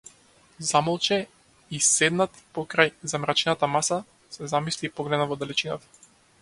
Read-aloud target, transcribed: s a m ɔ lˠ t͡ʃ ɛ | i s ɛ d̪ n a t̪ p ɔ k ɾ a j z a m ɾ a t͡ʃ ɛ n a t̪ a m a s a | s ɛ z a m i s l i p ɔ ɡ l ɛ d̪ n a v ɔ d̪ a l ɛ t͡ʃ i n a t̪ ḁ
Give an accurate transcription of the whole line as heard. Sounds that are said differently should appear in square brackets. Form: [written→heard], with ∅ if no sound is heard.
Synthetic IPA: [s→z] a m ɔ lˠ t͡ʃ ɛ | i s ɛ d̪ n a t̪ p ɔ k ɾ a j z a m ɾ a t͡ʃ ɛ n a t̪ a m a s a | s ɛ z a m i s l i p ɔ ɡ l ɛ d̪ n a v ɔ d̪ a l ɛ t͡ʃ i n a t̪ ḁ